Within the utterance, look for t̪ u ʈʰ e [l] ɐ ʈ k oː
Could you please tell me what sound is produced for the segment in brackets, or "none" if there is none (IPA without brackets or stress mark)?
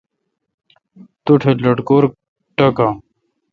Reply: l